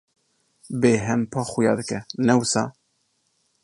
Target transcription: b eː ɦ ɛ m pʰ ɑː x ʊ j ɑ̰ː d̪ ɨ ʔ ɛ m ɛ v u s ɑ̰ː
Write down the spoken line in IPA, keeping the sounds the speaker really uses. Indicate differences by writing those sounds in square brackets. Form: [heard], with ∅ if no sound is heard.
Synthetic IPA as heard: b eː ɦ ɛ m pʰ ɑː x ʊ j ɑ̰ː d̪ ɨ [k] ɛ [n] ɛ [w] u s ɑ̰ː